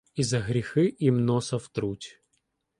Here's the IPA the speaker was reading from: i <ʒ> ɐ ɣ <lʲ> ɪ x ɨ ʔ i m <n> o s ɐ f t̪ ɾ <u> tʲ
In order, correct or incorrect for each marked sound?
incorrect: z, incorrect: ɾʲ, correct, correct

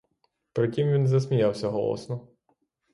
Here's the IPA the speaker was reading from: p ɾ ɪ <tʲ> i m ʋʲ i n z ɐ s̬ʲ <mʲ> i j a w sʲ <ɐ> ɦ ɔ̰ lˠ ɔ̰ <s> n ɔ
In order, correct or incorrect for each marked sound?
correct, correct, correct, correct

